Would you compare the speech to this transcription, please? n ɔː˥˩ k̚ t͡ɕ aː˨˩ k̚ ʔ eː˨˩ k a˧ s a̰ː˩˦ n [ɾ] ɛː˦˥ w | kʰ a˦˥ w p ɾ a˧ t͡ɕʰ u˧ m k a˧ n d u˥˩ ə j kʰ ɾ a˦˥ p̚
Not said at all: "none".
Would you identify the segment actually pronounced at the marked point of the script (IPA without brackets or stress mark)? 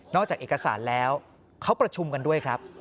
l